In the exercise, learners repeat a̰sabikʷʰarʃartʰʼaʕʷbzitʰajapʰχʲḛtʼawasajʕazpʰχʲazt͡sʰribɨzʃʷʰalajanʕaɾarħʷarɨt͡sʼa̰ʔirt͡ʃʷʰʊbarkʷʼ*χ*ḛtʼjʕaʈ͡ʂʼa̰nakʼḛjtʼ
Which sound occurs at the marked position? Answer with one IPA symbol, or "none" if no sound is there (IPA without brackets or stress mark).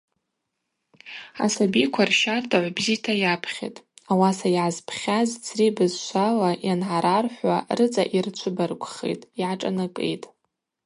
χ